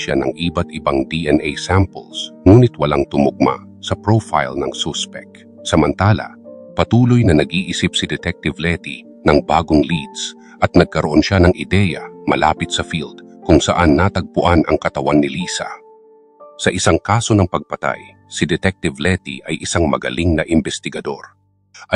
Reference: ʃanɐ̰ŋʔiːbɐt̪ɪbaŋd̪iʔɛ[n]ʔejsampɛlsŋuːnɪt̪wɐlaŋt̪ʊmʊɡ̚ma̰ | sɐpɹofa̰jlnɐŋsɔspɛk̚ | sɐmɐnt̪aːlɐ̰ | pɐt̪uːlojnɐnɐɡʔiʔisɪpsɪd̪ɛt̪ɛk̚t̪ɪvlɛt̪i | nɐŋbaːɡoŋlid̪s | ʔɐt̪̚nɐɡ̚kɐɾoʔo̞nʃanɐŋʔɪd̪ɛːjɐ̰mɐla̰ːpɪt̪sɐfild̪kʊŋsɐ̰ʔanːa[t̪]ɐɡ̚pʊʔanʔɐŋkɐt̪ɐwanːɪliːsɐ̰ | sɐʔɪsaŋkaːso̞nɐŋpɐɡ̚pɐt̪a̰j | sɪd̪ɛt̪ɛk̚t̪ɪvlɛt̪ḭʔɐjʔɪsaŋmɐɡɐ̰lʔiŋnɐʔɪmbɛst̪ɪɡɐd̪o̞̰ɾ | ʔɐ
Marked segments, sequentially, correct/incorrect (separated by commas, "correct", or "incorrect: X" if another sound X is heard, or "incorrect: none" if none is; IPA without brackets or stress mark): correct, correct